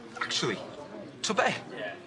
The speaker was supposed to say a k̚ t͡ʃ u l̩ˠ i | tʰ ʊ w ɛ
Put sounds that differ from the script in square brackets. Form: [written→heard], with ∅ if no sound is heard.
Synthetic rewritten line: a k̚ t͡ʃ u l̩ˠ i | tʰ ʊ [w→b] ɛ